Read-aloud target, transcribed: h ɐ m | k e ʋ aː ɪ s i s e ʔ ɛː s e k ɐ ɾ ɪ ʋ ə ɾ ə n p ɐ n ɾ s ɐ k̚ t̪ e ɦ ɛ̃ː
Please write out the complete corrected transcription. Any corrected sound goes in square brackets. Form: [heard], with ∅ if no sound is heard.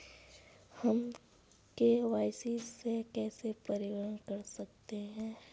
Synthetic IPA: h ɐ m | k e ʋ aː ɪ s i s e [k] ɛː s e [p] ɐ ɾ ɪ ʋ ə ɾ ə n [k] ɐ [∅] ɾ s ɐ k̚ t̪ e ɦ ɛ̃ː